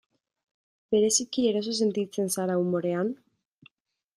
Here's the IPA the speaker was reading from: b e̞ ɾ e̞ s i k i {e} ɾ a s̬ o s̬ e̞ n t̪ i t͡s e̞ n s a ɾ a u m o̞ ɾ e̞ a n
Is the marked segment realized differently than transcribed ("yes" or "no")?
no